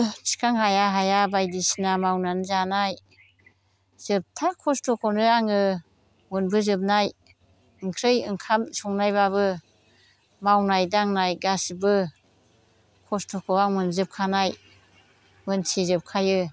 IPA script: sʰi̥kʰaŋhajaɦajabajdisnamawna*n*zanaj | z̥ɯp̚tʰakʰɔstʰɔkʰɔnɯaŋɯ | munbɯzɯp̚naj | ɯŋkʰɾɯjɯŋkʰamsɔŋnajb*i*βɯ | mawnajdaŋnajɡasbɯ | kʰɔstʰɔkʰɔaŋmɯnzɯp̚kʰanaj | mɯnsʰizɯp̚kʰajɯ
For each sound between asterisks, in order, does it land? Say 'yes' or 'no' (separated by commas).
yes, no